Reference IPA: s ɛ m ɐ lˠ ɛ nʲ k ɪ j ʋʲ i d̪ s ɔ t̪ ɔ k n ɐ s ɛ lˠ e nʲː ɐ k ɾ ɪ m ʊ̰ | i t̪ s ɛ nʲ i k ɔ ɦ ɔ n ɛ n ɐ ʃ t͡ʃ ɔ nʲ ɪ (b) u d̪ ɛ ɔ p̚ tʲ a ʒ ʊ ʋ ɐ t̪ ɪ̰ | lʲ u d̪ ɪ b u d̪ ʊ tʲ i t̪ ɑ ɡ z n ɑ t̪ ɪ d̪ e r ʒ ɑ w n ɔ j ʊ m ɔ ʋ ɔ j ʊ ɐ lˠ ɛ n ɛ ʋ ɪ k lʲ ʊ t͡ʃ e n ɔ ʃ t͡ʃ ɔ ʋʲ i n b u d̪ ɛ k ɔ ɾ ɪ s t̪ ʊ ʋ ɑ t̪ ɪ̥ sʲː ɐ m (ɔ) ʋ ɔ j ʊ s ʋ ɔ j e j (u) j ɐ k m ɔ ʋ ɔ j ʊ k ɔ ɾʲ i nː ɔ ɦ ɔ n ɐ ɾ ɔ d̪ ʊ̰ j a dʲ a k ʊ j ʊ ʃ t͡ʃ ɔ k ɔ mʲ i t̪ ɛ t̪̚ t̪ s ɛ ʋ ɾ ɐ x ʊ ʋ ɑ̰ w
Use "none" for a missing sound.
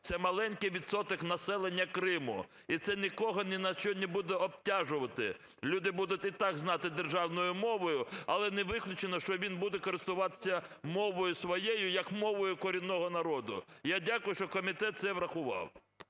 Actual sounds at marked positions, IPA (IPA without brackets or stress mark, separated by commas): b, ɔ, ʊ